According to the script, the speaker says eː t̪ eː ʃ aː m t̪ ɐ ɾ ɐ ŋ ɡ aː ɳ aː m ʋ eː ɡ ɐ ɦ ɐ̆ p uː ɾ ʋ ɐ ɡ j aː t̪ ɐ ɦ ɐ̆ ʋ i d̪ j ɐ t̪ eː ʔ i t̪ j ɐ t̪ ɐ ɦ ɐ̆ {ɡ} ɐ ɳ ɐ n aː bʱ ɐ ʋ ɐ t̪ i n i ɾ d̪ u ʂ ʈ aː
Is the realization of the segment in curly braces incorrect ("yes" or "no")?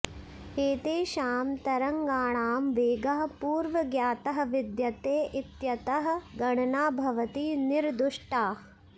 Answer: no